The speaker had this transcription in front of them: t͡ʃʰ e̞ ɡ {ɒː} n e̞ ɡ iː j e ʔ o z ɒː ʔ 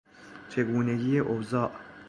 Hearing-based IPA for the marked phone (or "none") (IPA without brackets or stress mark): uː